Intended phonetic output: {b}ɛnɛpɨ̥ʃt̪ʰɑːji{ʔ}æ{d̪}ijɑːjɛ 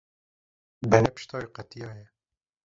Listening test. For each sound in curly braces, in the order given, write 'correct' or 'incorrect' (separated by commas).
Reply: correct, incorrect, incorrect